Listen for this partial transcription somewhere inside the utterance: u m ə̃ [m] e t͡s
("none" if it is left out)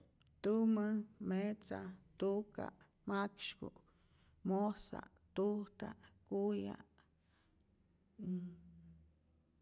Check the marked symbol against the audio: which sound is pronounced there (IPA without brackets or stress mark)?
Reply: m